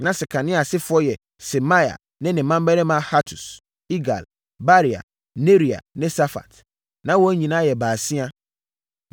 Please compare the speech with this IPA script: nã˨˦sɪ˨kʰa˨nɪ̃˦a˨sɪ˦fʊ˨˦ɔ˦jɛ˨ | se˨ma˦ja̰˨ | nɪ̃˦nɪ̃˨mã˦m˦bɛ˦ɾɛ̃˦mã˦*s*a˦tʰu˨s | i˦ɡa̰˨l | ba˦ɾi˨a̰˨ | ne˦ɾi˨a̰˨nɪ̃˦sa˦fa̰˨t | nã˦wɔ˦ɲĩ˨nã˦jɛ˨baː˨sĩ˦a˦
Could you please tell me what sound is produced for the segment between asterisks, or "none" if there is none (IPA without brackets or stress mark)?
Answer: h